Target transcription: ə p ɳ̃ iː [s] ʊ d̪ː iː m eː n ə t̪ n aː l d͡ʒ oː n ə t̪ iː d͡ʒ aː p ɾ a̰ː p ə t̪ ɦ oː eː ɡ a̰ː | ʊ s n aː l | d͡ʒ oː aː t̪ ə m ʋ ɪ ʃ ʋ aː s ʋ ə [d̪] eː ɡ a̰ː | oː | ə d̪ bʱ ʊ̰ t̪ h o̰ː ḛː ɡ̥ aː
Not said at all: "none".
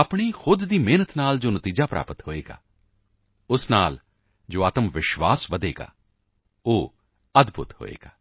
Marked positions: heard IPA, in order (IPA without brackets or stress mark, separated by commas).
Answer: x, d̪